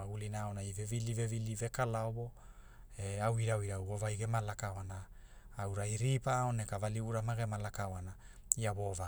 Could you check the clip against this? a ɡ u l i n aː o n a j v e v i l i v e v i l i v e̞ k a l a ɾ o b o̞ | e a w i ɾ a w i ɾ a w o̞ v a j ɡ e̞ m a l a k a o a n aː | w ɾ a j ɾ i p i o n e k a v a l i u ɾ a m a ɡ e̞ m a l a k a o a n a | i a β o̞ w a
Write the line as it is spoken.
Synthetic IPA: a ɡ u l i n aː o n a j v e v i l i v e v i l i v e̞ k a l a o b o̞ | e a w i ɾ a w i ɾ a w o̞ v a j ɡ e̞ m a l a k a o a n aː | w ɾ a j ɾ i p a o n e k a v a l i u ɾ a m a ɡ e̞ m a l a k a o a n a | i a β o̞ v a